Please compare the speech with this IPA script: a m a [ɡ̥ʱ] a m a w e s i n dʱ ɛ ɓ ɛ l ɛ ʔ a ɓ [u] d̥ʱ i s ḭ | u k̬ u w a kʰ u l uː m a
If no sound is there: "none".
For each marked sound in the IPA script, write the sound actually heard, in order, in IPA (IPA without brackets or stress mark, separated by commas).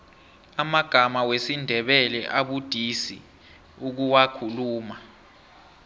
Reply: ɡ̥ʱ, u